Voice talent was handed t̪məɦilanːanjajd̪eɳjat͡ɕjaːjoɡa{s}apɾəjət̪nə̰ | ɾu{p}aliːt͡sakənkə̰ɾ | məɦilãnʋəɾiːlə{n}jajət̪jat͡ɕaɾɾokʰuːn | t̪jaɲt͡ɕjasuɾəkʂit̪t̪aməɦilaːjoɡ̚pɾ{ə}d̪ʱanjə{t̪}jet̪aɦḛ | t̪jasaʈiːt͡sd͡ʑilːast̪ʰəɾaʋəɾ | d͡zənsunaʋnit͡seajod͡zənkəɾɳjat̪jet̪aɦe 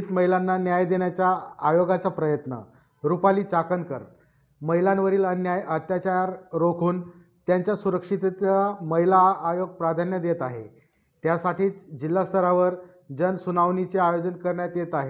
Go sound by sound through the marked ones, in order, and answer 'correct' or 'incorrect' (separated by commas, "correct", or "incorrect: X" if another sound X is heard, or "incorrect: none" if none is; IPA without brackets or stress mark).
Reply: incorrect: t͡s, correct, correct, incorrect: a, incorrect: d̪